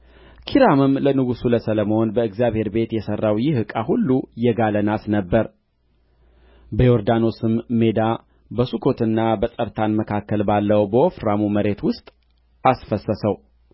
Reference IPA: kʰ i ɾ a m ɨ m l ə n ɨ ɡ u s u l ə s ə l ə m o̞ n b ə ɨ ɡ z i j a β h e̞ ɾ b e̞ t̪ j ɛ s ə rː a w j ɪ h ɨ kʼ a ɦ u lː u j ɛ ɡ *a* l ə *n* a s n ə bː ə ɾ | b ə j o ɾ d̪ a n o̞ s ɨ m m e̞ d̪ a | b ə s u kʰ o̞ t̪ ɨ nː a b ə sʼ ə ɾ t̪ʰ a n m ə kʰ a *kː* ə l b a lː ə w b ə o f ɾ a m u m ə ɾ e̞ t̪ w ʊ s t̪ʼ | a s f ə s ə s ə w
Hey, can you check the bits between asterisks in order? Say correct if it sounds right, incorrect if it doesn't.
correct, correct, correct

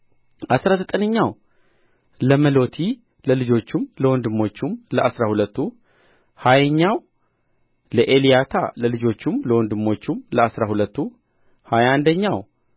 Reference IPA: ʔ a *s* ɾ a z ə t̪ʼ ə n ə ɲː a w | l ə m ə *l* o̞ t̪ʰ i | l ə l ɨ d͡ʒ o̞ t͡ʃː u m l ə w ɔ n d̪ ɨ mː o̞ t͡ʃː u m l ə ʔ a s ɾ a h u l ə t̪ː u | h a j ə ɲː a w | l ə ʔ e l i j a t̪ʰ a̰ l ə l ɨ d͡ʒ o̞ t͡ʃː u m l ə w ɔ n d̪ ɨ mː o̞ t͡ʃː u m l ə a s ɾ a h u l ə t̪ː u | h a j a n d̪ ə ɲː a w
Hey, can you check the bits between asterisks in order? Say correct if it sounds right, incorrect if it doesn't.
correct, correct

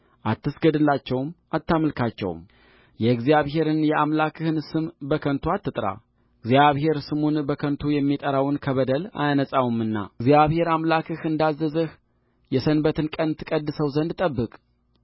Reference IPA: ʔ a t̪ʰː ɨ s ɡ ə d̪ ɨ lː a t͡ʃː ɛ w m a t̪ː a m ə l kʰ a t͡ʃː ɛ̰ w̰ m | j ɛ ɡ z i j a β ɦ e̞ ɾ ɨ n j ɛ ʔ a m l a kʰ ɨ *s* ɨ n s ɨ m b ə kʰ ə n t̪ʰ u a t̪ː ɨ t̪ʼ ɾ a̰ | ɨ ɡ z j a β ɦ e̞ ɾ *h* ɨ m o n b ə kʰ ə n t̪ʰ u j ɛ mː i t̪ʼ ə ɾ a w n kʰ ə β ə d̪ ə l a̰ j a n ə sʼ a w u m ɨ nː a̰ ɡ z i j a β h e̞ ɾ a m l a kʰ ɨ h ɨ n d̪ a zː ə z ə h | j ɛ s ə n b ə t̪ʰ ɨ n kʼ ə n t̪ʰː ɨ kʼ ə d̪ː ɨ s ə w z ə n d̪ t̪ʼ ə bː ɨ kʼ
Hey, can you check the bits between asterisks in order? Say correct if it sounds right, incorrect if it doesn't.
incorrect, incorrect

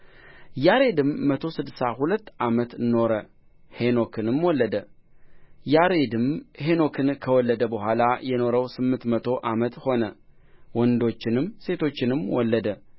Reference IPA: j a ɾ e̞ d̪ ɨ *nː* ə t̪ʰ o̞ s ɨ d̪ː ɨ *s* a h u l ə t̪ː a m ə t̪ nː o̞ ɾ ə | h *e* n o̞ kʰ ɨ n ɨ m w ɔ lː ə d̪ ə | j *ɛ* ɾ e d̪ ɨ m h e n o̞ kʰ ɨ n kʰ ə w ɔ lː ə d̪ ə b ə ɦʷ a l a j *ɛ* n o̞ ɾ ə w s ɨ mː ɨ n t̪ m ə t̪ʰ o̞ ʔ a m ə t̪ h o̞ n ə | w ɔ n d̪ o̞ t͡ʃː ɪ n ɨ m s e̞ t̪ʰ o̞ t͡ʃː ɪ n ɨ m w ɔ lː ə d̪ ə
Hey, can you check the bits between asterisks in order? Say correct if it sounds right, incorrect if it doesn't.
incorrect, correct, correct, incorrect, correct

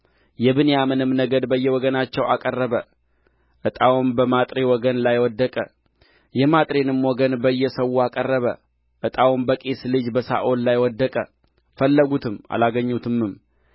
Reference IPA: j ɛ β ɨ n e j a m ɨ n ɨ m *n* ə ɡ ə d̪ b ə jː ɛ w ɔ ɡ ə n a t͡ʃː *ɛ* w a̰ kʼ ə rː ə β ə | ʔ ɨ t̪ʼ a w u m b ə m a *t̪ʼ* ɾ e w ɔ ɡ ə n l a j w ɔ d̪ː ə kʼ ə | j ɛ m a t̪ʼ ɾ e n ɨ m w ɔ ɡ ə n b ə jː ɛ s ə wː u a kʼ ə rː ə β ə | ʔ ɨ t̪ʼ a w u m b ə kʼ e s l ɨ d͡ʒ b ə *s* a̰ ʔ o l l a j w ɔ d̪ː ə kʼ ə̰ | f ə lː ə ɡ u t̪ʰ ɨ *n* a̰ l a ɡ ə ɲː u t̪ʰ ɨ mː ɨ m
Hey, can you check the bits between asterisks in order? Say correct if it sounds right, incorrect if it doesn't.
correct, correct, correct, correct, incorrect

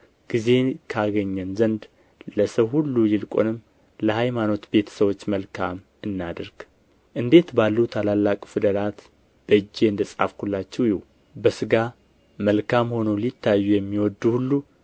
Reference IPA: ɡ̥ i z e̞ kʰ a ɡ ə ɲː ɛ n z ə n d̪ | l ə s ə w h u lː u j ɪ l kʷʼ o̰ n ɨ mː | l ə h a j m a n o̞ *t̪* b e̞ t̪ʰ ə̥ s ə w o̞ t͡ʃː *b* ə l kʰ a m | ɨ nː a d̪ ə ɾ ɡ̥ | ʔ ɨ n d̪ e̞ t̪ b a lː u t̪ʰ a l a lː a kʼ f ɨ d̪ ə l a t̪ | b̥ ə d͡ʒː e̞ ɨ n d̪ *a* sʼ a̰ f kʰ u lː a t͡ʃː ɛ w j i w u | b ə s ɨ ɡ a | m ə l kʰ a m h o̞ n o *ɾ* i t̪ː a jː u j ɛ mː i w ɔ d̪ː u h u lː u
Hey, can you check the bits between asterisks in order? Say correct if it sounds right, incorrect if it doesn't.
correct, incorrect, incorrect, incorrect

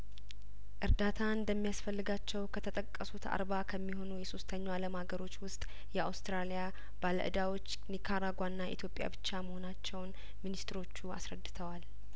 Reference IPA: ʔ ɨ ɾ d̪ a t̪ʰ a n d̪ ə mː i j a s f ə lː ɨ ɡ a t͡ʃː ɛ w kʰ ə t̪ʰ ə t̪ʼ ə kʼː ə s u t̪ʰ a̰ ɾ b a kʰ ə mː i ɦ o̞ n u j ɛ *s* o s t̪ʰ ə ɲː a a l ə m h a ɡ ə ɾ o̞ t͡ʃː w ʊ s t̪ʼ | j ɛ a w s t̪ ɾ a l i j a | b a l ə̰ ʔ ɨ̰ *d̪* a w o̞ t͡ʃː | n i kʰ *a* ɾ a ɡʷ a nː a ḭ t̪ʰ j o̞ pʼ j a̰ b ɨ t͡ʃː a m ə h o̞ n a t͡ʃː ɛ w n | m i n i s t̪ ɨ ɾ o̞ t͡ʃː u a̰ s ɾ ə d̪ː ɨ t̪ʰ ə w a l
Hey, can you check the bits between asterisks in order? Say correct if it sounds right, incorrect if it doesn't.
correct, correct, correct

